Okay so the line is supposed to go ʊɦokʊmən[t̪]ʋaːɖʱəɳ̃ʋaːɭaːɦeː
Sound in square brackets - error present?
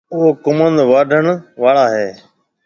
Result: yes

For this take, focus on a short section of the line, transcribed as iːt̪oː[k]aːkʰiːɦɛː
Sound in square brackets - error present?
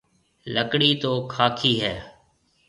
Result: yes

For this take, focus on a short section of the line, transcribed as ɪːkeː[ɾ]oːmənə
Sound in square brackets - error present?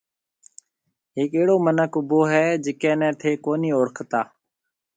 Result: yes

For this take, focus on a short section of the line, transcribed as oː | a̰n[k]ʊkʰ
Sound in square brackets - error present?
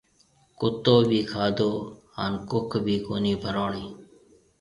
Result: no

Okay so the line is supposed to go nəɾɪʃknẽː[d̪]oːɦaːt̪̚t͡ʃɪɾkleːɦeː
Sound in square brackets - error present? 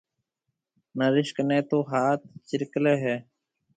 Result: yes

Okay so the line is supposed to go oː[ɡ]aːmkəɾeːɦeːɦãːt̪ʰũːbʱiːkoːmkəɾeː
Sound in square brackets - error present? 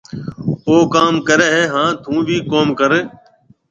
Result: yes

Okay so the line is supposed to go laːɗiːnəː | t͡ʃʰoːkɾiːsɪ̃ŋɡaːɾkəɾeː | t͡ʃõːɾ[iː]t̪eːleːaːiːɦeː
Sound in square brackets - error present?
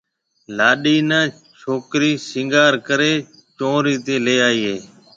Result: no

